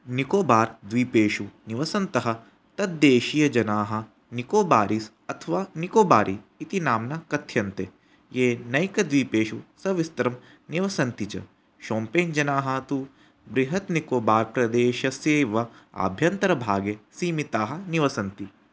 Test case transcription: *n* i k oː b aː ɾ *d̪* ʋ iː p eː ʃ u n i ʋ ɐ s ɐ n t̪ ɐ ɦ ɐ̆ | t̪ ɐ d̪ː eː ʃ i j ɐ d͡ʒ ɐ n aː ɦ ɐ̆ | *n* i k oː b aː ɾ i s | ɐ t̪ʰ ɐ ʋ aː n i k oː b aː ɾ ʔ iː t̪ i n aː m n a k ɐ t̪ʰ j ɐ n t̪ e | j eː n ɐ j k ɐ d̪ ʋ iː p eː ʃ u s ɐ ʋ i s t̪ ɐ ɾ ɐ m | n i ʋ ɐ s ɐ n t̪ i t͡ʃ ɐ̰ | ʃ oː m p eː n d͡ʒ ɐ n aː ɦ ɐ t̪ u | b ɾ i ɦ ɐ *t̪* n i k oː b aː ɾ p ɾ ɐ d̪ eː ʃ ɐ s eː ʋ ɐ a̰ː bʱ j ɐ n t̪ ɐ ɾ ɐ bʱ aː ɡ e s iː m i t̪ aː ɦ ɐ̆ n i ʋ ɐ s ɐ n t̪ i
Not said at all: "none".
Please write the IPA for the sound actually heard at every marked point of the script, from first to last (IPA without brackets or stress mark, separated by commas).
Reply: n, d̪, n, t̪